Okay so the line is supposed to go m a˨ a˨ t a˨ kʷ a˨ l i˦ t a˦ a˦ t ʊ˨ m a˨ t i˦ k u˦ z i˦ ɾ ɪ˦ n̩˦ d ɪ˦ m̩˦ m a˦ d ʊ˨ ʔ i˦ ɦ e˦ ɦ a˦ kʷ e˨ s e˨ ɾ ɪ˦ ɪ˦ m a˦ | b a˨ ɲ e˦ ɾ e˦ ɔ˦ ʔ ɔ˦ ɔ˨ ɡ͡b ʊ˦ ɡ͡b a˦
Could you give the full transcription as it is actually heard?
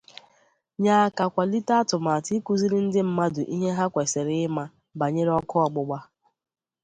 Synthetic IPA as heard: ɲ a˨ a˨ k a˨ kʷ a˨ l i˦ t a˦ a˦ t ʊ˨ m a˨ t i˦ k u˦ z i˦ ɾ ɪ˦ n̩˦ d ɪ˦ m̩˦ m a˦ d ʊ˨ ʔ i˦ ɦ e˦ ɦ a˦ kʷ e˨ s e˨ ɾ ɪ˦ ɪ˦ m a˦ | b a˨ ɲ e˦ ɾ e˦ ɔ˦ k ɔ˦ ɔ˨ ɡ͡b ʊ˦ ɡ͡b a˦